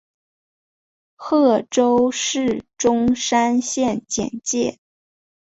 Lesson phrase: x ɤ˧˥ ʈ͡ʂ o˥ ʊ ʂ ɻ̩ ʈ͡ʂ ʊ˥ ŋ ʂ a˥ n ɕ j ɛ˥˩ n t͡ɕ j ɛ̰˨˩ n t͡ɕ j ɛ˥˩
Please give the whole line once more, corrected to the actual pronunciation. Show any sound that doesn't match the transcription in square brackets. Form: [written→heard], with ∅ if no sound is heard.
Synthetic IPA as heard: x [ɤ˧˥→ɤ˥˩] ʈ͡ʂ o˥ ʊ ʂ ɻ̩ ʈ͡ʂ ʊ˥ ŋ ʂ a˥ n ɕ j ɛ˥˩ n t͡ɕ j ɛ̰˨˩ n t͡ɕ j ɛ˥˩